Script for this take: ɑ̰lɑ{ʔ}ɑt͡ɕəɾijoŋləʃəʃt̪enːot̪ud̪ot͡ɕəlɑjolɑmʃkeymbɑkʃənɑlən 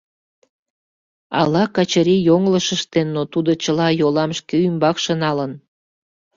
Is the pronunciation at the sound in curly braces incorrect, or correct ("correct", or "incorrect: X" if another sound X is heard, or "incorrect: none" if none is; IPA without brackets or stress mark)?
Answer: incorrect: k